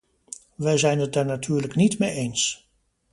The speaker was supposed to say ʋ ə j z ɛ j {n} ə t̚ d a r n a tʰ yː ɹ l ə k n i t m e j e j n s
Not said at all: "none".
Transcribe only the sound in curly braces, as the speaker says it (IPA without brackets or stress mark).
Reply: n